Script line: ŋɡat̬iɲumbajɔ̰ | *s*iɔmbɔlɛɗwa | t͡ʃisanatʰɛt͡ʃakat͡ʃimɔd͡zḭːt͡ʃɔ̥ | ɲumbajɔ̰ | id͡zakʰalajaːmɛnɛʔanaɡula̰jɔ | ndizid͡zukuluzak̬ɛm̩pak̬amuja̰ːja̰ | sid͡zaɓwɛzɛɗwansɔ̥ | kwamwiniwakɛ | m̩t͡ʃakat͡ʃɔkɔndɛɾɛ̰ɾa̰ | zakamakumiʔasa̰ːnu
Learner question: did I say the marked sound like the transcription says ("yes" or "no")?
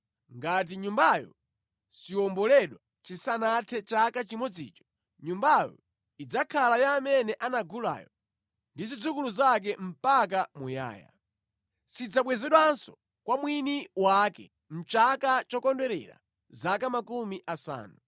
yes